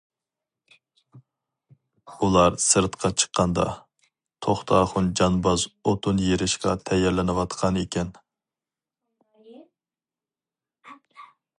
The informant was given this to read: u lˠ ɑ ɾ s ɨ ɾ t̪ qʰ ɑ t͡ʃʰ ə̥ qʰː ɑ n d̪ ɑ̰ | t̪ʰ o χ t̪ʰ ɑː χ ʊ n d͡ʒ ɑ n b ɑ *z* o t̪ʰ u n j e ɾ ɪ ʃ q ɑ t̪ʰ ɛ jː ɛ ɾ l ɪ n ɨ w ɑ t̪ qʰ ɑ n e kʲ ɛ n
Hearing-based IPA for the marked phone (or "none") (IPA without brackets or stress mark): z